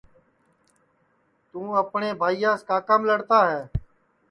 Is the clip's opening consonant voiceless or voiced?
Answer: voiceless